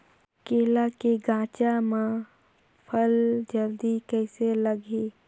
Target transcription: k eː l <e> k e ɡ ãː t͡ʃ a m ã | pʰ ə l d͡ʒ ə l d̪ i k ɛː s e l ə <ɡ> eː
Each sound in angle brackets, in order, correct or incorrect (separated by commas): incorrect, correct